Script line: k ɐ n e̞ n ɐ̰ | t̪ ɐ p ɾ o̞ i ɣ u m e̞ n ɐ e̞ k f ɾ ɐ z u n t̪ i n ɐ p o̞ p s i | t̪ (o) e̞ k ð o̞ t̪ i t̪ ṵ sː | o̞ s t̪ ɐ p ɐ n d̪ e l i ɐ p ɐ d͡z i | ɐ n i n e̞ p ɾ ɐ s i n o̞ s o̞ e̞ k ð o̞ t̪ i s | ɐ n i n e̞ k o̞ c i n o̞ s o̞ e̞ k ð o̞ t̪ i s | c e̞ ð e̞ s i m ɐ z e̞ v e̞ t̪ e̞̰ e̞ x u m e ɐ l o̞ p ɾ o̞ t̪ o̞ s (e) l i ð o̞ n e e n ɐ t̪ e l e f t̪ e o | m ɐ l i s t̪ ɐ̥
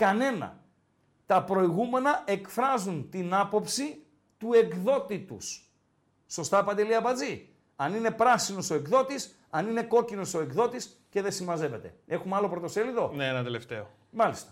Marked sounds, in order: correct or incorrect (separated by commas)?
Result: incorrect, correct